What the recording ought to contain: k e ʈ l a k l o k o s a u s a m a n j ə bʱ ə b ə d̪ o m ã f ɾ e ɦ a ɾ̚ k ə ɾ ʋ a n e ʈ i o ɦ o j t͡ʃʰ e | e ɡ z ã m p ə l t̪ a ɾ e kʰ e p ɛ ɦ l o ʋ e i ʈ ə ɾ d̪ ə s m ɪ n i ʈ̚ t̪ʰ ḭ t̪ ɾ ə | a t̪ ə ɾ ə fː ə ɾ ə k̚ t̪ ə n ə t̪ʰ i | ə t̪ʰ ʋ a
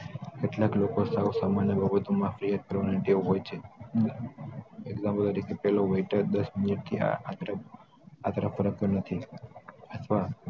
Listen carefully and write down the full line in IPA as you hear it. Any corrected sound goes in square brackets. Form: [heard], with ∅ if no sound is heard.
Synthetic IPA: k e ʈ l a k l o k o s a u s a m a n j ə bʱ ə b ə [t̪] o m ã f ɾ [i] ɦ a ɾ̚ k ə ɾ ʋ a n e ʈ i o ɦ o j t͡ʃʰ e | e ɡ z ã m p ə l t̪ [ə] ɾ [i] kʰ e p ɛ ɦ l o ʋ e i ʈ ə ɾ d̪ ə s m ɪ n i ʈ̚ t̪ʰ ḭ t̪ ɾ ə | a t̪ ə ɾ ə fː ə ɾ ə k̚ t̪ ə n ə t̪ʰ i | ə t̪ʰ ʋ a

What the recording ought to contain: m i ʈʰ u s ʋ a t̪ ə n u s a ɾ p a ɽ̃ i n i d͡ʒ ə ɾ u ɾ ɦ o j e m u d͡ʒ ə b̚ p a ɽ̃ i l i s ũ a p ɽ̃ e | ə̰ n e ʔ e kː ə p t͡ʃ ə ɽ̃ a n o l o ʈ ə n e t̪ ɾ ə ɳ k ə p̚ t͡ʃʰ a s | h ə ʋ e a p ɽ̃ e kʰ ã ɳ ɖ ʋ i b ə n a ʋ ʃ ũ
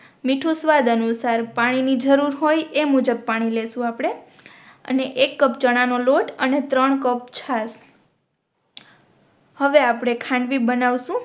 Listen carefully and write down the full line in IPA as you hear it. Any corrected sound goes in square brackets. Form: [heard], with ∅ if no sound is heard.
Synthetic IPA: m i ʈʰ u s ʋ a [d̪] ə n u s a ɾ p a ɽ̃ i n i d͡ʒ ə ɾ u ɾ ɦ o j e m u d͡ʒ ə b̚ p a ɽ̃ i l [e] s ũ a p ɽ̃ e | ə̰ n e ʔ e kː ə p t͡ʃ ə ɽ̃ a n o l o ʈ ə n e t̪ ɾ ə ɳ k ə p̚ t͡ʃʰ a s | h ə ʋ e a p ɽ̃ e kʰ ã ɳ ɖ ʋ i b ə n a ʋ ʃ ũ

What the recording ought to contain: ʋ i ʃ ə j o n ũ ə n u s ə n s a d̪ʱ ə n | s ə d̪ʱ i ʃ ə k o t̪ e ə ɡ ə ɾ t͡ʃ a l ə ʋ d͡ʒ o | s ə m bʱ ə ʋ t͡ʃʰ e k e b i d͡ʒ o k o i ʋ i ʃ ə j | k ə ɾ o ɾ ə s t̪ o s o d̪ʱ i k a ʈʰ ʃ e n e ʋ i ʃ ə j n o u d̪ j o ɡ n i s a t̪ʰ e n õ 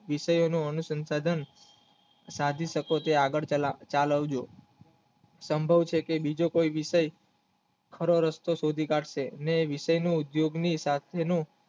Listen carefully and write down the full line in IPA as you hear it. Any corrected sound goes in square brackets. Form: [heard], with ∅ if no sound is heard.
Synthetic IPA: ʋ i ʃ ə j o n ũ ə n u s ə n s a d̪ʱ ə n | s [a] d̪ʱ i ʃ ə k o t̪ e [a] ɡ ə [ɭ] t͡ʃ a l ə ʋ d͡ʒ o | s ə m bʱ ə ʋ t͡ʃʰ e k e b i d͡ʒ o k o i ʋ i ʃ ə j | [kʰ] ə ɾ o ɾ ə s t̪ o s o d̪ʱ i k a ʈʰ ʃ e n e ʋ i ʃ ə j n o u d̪ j o ɡ n i s a t̪ʰ e n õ

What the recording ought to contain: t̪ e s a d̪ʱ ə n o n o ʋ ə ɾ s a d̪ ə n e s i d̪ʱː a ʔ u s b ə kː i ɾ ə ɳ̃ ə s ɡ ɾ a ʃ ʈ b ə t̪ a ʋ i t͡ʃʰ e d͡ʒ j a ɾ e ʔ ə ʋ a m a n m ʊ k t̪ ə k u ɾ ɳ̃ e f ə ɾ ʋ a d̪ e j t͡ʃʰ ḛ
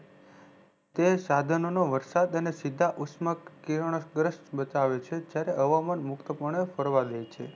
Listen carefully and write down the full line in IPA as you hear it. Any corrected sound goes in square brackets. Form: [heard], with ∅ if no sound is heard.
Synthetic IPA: t̪ e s a d̪ʱ ə n o n o ʋ ə ɾ s a d̪ ə n e s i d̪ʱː a ʔ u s [m] ə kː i ɾ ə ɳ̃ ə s ɡ ɾ [ə] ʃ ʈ b ə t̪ a ʋ [e] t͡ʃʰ e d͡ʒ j a ɾ e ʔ ə ʋ a m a n m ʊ k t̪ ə [p] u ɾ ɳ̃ e f ə ɾ ʋ a d̪ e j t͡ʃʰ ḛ

